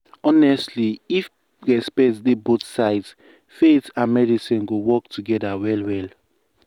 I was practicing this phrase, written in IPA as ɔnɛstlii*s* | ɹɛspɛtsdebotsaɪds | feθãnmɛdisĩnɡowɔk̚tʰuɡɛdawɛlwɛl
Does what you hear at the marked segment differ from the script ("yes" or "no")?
yes